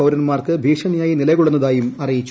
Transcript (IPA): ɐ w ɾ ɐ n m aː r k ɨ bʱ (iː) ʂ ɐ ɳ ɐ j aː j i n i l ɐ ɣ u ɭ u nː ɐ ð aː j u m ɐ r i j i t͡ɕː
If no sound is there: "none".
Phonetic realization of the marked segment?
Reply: iː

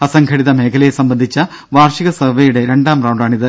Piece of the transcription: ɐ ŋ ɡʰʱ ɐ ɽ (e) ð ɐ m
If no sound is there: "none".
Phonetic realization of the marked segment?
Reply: i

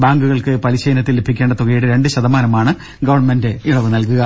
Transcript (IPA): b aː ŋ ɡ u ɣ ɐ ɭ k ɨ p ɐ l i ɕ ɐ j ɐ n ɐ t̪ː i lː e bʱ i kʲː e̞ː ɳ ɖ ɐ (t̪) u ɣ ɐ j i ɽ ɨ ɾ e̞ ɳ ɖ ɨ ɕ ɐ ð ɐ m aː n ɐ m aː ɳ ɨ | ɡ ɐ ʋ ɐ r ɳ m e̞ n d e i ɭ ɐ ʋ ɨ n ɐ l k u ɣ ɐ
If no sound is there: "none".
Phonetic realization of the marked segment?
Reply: t̪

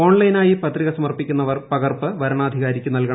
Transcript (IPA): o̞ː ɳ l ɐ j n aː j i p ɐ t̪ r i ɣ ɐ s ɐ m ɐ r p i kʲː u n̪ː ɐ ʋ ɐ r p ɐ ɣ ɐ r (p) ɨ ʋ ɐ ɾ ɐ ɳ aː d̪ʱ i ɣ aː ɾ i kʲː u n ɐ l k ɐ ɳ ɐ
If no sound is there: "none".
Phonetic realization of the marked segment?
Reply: p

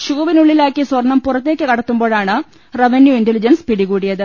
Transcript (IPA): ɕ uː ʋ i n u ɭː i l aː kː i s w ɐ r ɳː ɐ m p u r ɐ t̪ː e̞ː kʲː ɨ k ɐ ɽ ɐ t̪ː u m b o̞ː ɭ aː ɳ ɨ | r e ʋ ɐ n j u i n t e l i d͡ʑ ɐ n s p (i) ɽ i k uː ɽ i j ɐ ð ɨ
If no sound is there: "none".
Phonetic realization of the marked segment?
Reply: i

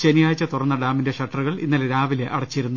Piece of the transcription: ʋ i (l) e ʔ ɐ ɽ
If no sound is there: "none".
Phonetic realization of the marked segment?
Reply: l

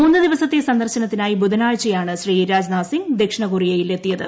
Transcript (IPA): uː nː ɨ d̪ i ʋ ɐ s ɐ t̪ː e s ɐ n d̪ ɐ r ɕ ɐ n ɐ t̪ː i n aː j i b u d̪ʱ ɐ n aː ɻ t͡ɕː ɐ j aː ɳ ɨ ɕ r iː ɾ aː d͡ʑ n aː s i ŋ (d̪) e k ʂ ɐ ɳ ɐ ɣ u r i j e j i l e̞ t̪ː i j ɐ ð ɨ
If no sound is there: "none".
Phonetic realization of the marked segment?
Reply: d̪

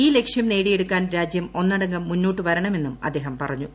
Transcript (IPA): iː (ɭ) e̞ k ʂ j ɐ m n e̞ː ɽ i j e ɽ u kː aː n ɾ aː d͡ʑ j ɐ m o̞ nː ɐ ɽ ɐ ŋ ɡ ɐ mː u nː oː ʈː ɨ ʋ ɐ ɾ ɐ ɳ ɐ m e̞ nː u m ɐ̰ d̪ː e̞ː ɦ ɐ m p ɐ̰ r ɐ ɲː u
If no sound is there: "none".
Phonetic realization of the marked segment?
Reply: l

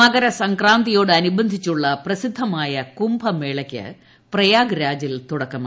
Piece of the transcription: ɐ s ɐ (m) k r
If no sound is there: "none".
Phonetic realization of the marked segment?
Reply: ŋ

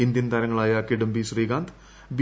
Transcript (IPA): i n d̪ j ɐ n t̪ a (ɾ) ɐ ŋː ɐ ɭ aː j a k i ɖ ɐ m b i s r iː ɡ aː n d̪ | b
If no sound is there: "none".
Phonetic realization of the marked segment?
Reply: ɾ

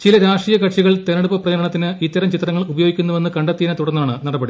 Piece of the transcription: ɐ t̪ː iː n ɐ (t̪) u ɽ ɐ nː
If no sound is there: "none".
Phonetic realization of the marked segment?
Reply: t̪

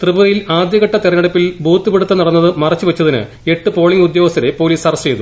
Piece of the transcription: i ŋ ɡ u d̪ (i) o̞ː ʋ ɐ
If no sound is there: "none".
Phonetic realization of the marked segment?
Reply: j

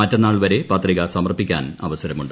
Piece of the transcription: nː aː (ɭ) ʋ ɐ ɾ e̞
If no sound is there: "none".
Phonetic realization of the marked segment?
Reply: ɭ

